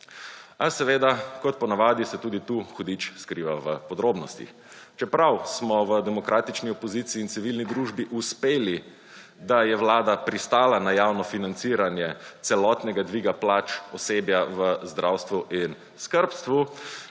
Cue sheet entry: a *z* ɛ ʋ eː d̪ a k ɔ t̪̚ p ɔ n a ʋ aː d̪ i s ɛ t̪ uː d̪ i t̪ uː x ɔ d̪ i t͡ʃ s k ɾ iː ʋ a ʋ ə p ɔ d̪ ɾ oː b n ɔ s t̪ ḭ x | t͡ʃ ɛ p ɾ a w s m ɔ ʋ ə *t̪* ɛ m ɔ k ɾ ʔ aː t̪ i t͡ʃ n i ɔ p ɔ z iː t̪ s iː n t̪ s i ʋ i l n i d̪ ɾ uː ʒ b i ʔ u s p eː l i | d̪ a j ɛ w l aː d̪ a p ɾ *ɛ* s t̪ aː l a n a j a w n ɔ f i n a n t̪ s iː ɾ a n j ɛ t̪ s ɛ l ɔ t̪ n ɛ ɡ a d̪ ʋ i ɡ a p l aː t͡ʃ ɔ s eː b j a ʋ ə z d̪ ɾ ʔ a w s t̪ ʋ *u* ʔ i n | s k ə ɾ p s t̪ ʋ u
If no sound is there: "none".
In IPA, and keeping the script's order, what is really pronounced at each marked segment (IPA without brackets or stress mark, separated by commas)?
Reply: s, d̪, i, u